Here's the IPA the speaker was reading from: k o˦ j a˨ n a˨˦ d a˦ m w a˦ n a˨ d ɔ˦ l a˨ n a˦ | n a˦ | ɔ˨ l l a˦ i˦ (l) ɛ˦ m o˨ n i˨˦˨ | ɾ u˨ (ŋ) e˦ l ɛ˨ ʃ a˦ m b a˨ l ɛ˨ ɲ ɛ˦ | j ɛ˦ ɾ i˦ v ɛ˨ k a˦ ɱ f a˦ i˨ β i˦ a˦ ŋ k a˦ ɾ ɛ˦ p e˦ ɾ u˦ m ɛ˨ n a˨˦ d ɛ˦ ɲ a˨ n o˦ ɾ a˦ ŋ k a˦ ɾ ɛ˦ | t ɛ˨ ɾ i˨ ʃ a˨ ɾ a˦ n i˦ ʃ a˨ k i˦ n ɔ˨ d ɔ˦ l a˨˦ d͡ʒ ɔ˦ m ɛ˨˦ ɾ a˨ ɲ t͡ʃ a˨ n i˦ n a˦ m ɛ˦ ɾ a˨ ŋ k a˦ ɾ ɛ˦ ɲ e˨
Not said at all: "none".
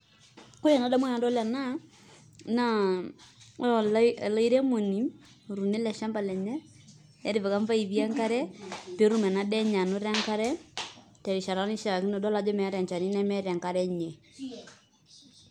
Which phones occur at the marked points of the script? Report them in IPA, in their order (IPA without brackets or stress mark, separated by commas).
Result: ɾ, n